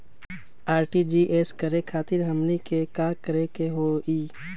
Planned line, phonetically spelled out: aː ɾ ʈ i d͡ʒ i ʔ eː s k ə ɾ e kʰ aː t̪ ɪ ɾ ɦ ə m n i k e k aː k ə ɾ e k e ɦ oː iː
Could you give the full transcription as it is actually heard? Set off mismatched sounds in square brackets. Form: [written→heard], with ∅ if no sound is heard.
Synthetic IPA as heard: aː ɾ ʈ i d͡ʒ i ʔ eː s k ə ɾ e kʰ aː t̪ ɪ ɾ ɦ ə m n i k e k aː k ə ɾ e k e ɦ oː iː